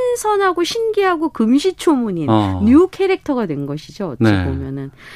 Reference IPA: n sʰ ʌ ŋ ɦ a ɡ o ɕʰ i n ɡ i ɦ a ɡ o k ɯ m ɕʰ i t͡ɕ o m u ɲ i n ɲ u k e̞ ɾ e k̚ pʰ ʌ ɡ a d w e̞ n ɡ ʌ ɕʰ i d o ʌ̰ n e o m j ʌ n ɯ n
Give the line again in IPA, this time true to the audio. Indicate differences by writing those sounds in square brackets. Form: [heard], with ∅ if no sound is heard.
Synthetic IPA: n sʰ ʌ [n] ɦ a ɡ o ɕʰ i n ɡ i ɦ a ɡ o k ɯ m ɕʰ i [t͡ɕʰ] o m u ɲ i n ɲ u [kʰ] e̞ ɾ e k̚ [tʰ] ʌ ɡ a d w e̞ n ɡ ʌ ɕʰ i [d͡ʑ] o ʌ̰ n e o m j ʌ n ɯ n